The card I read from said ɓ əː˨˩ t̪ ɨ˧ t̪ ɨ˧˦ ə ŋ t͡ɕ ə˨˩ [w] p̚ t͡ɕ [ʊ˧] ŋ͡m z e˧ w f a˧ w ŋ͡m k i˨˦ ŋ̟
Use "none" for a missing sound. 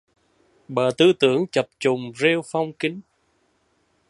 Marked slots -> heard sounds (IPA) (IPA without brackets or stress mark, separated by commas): none, ʊ˨˩